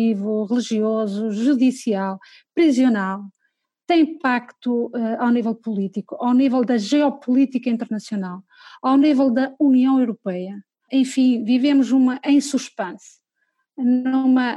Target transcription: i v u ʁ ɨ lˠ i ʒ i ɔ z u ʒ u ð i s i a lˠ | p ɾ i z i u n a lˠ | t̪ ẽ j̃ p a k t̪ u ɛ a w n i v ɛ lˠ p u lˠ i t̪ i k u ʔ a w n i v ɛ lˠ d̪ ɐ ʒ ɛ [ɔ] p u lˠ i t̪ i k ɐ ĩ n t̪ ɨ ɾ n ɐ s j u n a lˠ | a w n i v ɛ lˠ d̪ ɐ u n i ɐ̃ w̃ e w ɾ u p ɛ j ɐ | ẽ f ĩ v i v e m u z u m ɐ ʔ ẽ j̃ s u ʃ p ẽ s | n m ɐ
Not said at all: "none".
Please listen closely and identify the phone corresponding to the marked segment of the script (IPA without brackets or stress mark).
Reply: ɔ